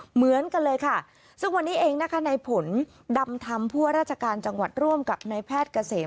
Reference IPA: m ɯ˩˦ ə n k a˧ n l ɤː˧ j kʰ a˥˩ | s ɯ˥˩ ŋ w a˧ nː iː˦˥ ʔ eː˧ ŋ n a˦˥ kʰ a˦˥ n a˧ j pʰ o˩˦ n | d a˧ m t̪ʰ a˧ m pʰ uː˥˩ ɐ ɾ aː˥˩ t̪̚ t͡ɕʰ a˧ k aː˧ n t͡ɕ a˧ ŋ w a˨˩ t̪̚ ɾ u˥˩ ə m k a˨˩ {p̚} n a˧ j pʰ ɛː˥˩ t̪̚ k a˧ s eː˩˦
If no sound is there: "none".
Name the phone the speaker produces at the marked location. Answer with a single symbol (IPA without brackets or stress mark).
p̚